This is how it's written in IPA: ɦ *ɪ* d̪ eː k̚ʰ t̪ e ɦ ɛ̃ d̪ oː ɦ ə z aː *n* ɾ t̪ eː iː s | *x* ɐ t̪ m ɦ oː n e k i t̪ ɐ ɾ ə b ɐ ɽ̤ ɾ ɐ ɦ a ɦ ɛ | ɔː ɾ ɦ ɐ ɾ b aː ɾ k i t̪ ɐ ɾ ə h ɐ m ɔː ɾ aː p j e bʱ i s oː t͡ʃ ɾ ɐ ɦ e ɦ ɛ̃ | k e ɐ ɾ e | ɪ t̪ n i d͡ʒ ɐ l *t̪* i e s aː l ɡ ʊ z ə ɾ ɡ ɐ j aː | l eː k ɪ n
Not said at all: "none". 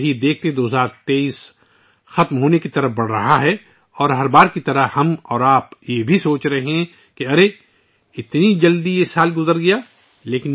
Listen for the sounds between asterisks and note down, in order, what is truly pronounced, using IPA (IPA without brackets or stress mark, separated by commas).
i, none, x, d̪